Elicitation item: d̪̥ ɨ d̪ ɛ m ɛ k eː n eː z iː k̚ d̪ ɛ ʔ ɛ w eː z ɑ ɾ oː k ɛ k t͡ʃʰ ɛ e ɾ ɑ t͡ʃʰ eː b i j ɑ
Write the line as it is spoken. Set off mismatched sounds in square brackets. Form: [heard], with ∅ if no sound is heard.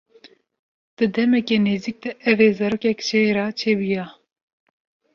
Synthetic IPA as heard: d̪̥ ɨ d̪ ɛ m ɛ k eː n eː z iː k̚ d̪ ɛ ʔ ɛ [v] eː z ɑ ɾ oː k ɛ k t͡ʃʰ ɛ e ɾ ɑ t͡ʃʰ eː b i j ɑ